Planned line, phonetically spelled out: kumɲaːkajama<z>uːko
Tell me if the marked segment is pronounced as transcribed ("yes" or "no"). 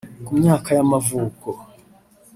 no